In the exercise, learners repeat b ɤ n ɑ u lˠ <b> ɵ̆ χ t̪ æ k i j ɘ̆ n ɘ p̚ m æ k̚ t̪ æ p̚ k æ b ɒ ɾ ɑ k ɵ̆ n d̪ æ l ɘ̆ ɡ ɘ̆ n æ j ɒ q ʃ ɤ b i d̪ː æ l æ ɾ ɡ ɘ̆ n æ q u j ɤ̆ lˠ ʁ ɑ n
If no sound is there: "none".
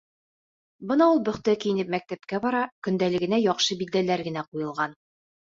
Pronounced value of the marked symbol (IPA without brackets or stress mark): b